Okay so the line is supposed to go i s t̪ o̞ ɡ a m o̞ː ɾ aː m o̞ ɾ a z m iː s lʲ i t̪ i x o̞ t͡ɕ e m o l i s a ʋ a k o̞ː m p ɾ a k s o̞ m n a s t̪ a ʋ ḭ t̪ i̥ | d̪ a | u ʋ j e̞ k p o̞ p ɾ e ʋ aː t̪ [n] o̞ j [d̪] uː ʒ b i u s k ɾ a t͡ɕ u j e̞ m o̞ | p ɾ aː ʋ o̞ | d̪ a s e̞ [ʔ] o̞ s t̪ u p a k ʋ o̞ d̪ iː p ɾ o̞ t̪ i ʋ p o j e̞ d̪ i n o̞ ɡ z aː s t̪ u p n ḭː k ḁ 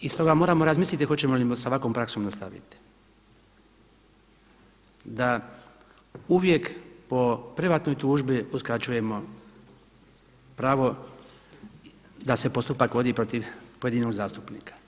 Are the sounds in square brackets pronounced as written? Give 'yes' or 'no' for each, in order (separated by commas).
yes, no, no